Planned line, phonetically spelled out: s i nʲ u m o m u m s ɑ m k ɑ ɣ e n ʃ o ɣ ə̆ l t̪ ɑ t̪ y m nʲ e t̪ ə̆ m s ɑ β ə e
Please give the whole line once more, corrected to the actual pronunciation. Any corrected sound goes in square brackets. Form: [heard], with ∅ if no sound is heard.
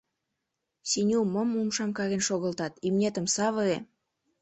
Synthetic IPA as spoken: s i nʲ u m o m u m [ʃ] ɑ m k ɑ ɣ e n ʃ o ɣ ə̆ l t̪ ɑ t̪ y m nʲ e t̪ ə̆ m s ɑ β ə e